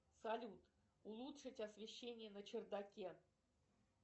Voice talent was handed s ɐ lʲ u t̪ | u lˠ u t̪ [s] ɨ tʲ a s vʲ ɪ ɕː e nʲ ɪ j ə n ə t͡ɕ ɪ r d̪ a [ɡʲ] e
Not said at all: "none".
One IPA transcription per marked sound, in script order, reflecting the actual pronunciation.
ʂ, kʲ

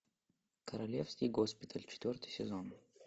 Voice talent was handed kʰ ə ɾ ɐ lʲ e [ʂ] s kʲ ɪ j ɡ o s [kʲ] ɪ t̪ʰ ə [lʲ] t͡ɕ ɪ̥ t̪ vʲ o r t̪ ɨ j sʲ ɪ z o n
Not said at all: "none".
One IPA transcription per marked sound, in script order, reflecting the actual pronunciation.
f, pʲ, lʲ

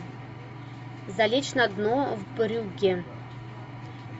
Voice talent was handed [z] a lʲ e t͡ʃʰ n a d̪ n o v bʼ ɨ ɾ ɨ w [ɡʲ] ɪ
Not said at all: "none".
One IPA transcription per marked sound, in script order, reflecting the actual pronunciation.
z, ɡʲ

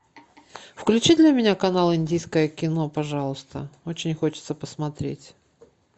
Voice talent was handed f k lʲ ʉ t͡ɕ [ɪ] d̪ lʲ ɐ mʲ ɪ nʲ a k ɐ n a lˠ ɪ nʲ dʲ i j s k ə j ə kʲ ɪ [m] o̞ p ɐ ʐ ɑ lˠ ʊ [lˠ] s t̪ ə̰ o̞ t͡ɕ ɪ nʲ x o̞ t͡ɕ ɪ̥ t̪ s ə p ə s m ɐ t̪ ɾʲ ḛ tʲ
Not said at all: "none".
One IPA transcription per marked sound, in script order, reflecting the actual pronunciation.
i, n, none

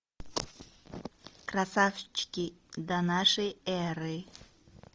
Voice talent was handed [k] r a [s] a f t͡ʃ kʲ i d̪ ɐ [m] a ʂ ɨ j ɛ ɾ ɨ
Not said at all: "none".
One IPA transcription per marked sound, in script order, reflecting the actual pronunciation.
k, s, n

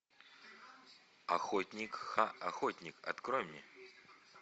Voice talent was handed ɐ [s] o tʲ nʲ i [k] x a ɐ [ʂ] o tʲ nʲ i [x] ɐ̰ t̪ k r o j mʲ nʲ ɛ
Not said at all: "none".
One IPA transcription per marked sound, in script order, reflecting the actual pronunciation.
x, k, x, k

